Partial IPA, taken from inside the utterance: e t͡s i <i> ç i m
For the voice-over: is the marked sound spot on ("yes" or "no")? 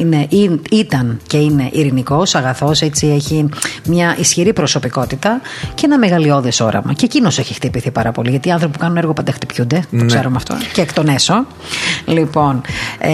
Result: no